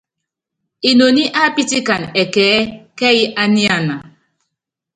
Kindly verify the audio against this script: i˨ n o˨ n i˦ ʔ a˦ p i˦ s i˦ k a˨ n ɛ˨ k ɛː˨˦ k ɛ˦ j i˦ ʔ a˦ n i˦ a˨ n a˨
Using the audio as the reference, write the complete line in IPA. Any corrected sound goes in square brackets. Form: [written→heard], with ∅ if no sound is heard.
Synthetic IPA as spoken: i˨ n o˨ n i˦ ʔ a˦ p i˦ [s→t] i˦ k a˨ n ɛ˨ k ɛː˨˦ k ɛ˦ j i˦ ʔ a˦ n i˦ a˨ n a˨